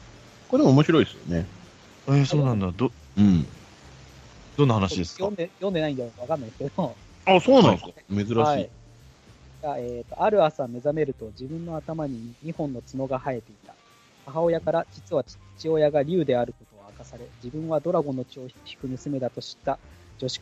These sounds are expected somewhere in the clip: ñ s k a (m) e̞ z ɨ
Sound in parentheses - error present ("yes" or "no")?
no